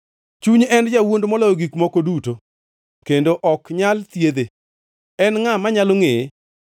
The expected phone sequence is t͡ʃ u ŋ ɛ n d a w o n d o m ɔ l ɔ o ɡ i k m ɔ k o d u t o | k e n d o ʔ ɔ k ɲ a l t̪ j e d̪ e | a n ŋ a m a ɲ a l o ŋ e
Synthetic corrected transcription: t͡ʃ u ɲ ɛ n d͡ʒ a w o n d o m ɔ l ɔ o ɡ i k m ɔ k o d u t o | k e n d o ʔ ɔ k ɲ a l t̪ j e d̪ e | ɛ n ŋ a m a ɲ a l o ŋ e